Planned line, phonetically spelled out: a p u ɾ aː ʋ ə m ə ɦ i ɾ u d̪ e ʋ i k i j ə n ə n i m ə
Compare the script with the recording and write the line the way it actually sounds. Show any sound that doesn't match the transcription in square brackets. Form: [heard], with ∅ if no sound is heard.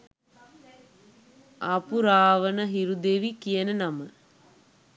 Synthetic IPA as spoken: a p u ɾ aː ʋ ə [n] ə ɦ i ɾ u d̪ e ʋ i k i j ə n ə n [a] m ə